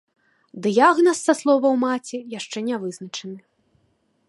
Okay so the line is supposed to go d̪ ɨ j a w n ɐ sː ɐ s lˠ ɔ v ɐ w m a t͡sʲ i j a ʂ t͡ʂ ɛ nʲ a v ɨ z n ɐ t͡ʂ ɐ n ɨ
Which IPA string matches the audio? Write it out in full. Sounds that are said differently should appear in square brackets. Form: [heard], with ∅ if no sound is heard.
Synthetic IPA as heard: d̪ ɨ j a [ɣ] n ɐ sː ɐ s lˠ ɔ v ɐ w m a t͡sʲ i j a ʂ t͡ʂ ɛ nʲ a v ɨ z n ɐ t͡ʂ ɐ n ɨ